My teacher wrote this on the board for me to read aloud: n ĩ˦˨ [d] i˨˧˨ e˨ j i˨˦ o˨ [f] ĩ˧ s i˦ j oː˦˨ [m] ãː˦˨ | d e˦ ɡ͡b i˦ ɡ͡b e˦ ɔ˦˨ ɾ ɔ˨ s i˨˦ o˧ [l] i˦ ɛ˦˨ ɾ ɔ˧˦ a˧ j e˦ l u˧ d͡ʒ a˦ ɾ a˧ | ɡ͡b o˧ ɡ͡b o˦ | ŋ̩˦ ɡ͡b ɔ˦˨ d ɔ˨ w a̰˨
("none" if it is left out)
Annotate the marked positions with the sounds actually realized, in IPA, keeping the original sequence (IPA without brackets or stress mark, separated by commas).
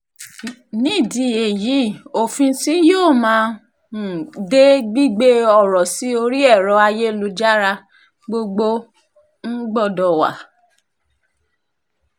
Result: d, f, m, ɾ